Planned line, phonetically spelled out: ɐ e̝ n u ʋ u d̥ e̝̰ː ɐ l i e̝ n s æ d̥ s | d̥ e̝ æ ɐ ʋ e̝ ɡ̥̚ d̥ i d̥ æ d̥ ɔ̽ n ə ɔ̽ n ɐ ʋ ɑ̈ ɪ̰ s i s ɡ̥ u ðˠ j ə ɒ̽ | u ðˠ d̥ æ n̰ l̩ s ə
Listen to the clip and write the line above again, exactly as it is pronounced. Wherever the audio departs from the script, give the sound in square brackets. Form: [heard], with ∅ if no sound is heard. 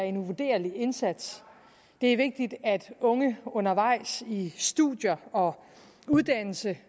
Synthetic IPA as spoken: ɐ e̝ n u ʋ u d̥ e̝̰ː ɐ l i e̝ n s æ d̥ s | d̥ e̝ æ ɐ ʋ e̝ ɡ̥̚ d̥ i d̥ æ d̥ ɔ̽ [ŋ] ə ɔ̽ n ɐ ʋ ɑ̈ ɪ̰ s i s [d̥] u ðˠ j [ɐ] ɒ̽ | u ðˠ d̥ æ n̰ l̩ s ə